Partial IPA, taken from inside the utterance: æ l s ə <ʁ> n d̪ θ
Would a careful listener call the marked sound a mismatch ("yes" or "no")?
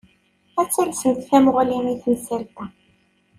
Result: yes